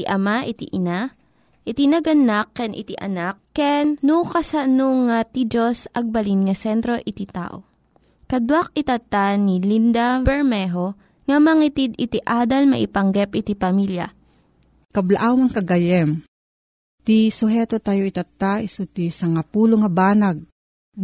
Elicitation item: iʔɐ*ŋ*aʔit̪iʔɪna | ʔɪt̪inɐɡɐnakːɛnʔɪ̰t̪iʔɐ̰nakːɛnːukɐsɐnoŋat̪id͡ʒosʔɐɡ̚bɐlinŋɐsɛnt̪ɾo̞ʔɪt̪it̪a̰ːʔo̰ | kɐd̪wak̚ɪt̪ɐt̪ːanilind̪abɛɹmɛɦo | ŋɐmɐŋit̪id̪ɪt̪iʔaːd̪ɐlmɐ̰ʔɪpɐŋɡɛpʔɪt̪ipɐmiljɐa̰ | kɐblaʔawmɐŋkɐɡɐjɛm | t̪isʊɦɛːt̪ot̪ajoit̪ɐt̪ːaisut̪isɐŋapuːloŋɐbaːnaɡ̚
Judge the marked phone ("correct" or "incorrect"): incorrect